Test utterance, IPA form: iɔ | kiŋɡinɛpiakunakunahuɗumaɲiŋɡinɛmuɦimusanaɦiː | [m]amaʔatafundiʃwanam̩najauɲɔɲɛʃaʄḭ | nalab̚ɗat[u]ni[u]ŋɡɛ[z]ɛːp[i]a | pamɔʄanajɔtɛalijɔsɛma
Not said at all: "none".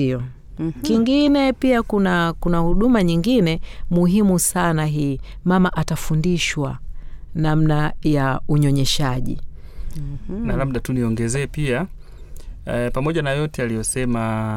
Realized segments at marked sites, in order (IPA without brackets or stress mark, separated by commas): m, u, ɔ, z, i